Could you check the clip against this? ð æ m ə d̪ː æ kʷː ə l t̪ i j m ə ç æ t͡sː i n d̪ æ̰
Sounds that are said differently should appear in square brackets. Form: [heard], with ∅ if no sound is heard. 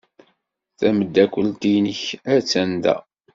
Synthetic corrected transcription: [θ] æ m ə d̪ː æ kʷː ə l t̪ i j [n] ə ç æ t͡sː [æ] n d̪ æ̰